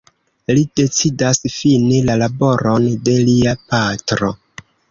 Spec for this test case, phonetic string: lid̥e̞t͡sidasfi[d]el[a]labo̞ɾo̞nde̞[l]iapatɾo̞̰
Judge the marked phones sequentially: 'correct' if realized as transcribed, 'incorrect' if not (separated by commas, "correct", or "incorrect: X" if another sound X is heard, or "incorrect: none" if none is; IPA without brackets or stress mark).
incorrect: n, correct, correct